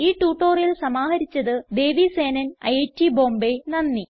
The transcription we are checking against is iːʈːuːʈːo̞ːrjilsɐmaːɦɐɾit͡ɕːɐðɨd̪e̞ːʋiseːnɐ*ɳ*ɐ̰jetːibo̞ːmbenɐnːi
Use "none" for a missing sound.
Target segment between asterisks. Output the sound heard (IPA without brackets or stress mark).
n